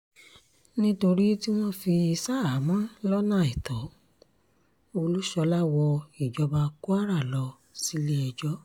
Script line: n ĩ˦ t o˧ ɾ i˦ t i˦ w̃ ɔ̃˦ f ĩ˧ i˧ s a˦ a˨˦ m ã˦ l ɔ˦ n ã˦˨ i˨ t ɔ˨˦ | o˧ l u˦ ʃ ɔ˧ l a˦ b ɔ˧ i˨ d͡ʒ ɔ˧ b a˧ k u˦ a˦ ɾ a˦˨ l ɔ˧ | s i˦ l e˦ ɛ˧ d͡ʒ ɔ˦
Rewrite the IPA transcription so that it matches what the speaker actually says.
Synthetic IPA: n ĩ˦ t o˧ ɾ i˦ t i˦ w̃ ɔ̃˦ f i˧ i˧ s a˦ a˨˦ m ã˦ l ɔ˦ n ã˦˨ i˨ t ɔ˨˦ | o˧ l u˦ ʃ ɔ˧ l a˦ w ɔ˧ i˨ d͡ʒ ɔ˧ b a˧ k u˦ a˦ ɾ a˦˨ l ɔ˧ | s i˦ l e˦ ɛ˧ d͡ʒ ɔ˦